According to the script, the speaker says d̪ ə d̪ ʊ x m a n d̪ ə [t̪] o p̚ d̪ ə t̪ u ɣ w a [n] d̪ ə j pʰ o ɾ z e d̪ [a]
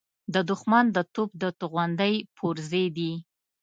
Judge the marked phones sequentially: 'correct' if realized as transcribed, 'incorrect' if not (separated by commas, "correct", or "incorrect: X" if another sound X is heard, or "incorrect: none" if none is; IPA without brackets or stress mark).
correct, correct, incorrect: i